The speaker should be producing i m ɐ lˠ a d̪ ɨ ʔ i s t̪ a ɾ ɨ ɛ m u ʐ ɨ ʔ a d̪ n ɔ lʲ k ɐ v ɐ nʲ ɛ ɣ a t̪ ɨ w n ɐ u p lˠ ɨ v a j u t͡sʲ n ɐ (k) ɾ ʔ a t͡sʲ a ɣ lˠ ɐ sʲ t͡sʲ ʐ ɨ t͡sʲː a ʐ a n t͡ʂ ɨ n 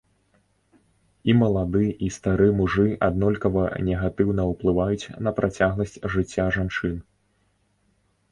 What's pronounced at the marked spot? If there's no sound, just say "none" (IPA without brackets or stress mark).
p